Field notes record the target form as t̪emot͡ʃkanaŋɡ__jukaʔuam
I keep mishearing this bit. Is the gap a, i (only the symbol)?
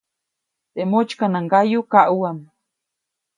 a